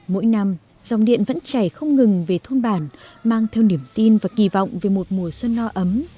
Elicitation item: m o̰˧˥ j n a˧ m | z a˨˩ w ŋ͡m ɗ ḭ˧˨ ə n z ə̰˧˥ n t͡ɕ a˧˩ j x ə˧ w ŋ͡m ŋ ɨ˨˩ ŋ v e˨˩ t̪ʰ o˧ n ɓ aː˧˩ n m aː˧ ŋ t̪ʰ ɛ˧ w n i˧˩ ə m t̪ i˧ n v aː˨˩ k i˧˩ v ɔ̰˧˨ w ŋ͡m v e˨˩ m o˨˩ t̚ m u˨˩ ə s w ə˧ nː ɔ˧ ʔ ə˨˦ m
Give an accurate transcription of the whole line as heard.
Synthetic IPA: m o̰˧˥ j n a˧ m | z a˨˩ w ŋ͡m ɗ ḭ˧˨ ə n v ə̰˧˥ n t͡ɕ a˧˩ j x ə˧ w ŋ͡m ŋ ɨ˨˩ ŋ v e˨˩ t̪ʰ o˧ n ɓ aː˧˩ n m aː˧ ŋ t̪ʰ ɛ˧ w n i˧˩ ə m t̪ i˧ n v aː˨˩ k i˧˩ v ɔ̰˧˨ w ŋ͡m v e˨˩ m o˨˩ t̚ m u˨˩ ə s w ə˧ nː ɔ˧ ʔ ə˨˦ m

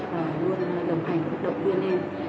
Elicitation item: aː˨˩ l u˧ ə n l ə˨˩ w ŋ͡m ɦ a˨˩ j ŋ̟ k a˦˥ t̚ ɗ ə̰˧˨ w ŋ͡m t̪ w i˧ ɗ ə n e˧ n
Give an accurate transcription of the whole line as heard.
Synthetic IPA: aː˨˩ l u˧ ə n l ə˨˩ w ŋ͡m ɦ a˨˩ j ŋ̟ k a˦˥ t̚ ɗ ə̰˧˨ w ŋ͡m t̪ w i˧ ə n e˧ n

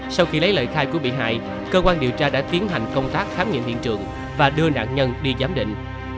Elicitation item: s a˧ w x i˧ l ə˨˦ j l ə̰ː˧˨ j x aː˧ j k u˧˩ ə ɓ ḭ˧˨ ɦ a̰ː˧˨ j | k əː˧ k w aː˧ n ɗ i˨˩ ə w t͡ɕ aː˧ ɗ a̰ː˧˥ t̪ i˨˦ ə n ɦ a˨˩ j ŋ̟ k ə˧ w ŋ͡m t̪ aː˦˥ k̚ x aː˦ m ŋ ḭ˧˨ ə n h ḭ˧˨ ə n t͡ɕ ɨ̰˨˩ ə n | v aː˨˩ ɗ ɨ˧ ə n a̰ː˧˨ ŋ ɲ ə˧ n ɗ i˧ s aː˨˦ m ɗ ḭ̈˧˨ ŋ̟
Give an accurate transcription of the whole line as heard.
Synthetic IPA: s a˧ w x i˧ l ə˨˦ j l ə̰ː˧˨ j x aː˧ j k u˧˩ ə ɓ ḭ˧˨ ɦ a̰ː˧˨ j | k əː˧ k w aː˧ n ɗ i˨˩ ə w t͡ɕ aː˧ ɗ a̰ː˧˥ t̪ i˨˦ ə n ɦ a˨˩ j ŋ̟ k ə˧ w ŋ͡m t̪ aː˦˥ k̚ x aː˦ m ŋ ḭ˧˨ ə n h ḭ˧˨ ə n t͡ɕ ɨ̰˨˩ ə ŋ | v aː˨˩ ɗ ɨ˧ ə n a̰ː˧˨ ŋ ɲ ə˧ n ɗ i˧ z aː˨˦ m ɗ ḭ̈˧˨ ŋ̟

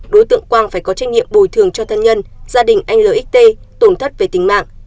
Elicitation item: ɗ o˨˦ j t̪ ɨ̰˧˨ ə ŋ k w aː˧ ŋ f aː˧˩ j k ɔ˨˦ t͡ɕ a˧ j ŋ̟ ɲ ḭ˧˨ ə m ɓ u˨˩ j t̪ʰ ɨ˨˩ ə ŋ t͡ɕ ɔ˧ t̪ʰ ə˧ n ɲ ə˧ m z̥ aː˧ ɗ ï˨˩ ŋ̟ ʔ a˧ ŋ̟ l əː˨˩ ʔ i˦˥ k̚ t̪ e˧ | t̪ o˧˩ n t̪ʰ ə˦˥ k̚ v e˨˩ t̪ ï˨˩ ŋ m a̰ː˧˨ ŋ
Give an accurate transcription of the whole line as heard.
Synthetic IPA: ɗ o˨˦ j t̪ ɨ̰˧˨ ə ŋ k w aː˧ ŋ f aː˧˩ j k ɔ˨˦ t͡ɕ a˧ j ŋ̟ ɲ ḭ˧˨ ə m ɓ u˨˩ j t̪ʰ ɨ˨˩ ə ŋ t͡ɕ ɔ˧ t̪ʰ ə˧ n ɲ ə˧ n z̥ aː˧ ɗ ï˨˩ ŋ̟ ʔ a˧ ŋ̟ l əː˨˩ ʔ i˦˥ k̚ t̪ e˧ | t̪ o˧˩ n t̪ʰ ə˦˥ t̚ v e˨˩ t̪ ï˨˩ ŋ m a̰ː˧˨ ŋ

